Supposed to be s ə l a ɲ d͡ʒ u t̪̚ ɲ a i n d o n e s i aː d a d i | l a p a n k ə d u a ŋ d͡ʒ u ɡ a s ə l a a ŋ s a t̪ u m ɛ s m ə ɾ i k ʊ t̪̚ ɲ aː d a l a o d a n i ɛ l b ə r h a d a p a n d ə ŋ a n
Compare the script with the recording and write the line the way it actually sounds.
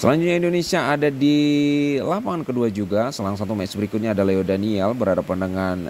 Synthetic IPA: s ə l a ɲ d͡ʒ u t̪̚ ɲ a i n d o n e s i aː d a d i | l a p a n k ə d u a d͡ʒ u ɡ a s ə l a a ŋ s a t̪ u m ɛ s b ə ɾ i k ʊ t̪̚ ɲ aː d a l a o d a n i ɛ l b ə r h a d a p a n d ə ŋ a n